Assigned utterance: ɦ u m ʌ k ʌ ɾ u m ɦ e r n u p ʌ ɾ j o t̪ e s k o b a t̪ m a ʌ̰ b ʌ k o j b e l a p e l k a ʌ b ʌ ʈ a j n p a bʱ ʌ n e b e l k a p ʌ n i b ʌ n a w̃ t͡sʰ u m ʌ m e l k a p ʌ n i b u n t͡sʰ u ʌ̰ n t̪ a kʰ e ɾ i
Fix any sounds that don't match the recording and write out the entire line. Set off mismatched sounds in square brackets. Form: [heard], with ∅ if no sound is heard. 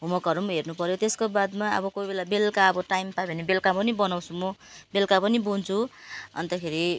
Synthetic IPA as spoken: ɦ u m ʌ k ʌ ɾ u m ɦ e r n u p ʌ ɾ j o t̪ e s k o b a [d̪] m a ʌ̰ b ʌ k o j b e l a [b] e l k a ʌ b ʌ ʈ a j [m] p a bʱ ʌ n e b e l k a p ʌ n i b ʌ n a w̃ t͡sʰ u m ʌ [b] e l k a p ʌ n i b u n t͡sʰ u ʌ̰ n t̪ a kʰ e ɾ i